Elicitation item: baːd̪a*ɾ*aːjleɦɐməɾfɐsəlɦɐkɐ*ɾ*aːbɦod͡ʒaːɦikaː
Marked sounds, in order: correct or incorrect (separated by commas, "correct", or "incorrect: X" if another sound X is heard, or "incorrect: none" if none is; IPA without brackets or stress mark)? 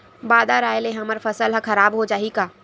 correct, correct